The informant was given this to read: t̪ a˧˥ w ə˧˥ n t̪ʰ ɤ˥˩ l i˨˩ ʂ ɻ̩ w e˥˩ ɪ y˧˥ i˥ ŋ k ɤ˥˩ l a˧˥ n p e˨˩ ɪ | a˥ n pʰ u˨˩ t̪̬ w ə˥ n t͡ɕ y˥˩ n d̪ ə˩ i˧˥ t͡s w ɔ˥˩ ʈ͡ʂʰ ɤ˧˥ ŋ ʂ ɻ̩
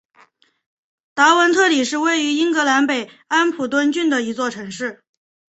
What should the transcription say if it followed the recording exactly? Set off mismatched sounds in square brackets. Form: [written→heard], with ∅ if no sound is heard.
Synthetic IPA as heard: t̪ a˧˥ w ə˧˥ n t̪ʰ ɤ˥˩ l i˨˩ ʂ ɻ̩ w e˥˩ ɪ y˧˥ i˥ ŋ k [ɤ˥˩→ɤ˧˥] l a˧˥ n p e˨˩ ɪ | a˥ n pʰ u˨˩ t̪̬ w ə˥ n t͡ɕ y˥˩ n d̪ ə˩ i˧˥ t͡s w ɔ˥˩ ʈ͡ʂʰ ɤ˧˥ ŋ ʂ ɻ̩